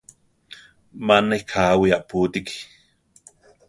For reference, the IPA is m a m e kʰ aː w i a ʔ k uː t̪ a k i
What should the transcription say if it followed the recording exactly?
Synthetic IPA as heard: m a n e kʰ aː w i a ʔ p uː t̪ i k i